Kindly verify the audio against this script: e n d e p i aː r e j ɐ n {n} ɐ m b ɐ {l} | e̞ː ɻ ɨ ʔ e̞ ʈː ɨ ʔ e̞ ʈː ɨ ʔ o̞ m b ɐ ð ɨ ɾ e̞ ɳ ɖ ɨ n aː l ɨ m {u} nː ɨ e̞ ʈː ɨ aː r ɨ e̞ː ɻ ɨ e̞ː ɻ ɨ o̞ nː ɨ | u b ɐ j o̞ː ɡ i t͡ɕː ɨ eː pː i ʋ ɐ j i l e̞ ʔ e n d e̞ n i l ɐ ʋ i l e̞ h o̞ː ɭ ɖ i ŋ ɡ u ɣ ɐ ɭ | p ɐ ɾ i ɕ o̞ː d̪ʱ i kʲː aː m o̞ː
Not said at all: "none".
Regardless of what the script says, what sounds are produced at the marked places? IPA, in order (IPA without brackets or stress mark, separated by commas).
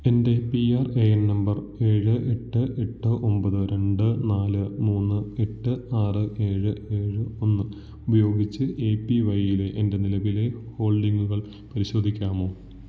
n, r, uː